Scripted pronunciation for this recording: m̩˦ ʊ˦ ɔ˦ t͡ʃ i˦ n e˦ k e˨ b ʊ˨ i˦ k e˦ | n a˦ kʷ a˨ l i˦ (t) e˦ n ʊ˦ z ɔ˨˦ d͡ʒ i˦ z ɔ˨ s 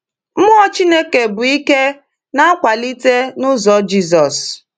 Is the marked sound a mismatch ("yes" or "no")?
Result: no